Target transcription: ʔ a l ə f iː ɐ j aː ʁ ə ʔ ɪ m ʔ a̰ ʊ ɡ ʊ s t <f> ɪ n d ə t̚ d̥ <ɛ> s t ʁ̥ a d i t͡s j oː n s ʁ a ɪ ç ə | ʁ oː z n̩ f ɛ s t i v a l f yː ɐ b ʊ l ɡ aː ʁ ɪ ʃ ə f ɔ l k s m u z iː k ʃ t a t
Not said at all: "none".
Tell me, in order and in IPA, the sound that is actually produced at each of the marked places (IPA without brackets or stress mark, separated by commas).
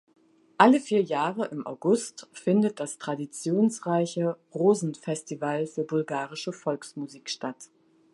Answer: f, a